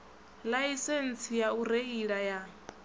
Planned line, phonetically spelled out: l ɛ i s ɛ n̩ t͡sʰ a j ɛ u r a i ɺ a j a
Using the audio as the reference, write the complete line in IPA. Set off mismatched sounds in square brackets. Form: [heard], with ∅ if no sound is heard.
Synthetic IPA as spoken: l [a] i s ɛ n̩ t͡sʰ [i] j [a] u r [e] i ɺ a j a

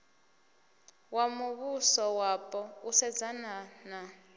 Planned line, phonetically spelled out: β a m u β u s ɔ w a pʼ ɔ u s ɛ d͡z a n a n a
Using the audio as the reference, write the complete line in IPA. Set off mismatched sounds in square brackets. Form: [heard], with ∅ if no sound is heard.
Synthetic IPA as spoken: [w] a m u β u s ɔ w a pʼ ɔ u s ɛ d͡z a n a n a

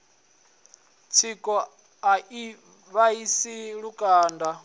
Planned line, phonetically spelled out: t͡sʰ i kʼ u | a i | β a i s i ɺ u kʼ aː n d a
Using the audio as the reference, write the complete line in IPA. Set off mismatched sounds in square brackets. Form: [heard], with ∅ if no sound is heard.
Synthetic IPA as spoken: t͡sʰ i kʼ [ɔ] | a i | β a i s i ɺ u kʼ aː n d a

